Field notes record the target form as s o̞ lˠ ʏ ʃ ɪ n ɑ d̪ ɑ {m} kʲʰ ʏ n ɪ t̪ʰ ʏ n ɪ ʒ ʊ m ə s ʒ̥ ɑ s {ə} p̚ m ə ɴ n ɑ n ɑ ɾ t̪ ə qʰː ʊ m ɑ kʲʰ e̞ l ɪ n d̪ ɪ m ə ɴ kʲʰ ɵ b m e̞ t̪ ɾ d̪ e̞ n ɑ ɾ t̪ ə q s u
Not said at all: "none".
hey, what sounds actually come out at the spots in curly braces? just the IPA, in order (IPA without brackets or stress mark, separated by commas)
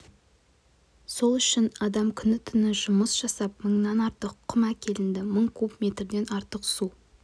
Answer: m, ɑ